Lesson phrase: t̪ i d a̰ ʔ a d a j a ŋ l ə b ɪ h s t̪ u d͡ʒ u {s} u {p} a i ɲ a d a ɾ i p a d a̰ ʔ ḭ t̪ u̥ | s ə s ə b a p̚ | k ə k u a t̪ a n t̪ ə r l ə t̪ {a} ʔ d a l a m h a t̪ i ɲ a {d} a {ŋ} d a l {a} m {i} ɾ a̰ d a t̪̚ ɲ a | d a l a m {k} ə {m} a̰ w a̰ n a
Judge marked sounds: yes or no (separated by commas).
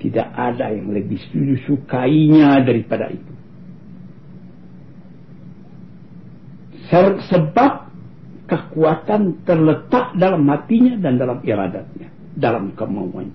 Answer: yes, no, yes, yes, no, yes, yes, yes, yes